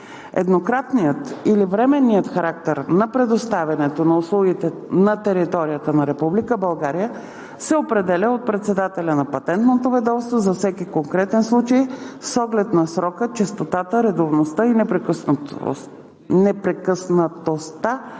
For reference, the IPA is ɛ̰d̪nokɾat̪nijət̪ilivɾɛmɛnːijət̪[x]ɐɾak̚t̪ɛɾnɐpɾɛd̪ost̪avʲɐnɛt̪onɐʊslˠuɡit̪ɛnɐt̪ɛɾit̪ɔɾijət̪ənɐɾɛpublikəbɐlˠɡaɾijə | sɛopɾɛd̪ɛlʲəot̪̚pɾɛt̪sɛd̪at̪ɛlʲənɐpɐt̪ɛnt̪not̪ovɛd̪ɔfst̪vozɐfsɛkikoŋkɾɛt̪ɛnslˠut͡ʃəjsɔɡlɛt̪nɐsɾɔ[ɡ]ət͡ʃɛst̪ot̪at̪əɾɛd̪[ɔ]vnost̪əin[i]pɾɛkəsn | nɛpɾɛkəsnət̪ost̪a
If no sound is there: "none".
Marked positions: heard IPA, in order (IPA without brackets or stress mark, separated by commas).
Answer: x, k, o, ɛ